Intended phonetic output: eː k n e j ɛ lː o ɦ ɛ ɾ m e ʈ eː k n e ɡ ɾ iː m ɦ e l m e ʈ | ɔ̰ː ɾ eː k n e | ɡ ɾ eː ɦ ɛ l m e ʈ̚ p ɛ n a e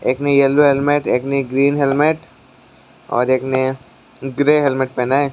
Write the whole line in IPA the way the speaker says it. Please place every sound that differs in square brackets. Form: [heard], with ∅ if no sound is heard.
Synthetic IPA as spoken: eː k n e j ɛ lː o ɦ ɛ [l] m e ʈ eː k n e ɡ ɾ iː [n] ɦ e l m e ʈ | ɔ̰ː ɾ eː k n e | ɡ ɾ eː ɦ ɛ l m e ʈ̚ p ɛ n a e